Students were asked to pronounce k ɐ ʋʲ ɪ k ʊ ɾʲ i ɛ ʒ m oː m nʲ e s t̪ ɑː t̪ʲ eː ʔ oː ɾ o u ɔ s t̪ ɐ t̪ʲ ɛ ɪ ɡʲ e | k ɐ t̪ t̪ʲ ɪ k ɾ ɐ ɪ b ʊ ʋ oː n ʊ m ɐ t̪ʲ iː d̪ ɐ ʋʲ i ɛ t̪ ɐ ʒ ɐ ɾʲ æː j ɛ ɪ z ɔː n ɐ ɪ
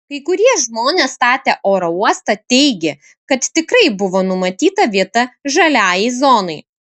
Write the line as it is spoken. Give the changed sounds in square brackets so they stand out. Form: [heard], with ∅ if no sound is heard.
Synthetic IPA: k ɐ [∅] ɪ k ʊ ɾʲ i ɛ ʒ m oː [∅] nʲ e s t̪ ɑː t̪ʲ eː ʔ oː ɾ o u ɔ s t̪ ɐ t̪ʲ ɛ ɪ ɡʲ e | k ɐ t̪ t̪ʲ ɪ k ɾ ɐ ɪ b ʊ ʋ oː n ʊ m ɐ t̪ʲ iː [t̪] ɐ ʋʲ i ɛ t̪ ɐ ʒ ɐ [lʲ] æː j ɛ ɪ z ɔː n ɐ ɪ